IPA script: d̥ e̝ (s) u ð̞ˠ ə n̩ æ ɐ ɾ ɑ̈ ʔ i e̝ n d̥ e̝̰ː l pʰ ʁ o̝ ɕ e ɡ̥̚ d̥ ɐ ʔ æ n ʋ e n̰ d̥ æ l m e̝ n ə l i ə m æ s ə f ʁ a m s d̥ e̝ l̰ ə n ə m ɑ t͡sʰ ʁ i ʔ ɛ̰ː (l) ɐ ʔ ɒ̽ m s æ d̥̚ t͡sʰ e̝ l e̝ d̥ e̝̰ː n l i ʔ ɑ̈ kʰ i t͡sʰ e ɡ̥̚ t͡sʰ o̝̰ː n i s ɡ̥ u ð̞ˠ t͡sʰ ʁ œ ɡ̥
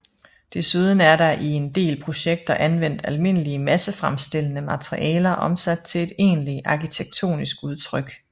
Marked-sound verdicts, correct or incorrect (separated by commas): correct, correct